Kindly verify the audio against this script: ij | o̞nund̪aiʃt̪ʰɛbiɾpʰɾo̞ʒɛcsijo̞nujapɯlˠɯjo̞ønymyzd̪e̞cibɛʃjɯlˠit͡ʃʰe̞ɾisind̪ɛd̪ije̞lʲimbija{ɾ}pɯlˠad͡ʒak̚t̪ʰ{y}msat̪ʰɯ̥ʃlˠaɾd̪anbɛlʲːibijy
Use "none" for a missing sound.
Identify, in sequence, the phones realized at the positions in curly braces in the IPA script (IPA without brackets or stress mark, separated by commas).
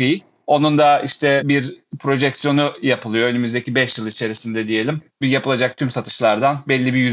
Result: none, y